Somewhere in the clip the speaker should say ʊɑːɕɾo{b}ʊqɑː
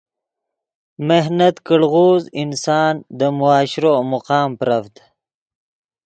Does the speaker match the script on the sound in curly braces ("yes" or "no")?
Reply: no